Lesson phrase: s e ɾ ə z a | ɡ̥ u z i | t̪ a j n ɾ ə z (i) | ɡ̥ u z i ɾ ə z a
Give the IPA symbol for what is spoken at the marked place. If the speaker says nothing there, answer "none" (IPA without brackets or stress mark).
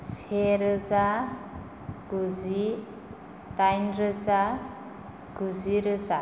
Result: a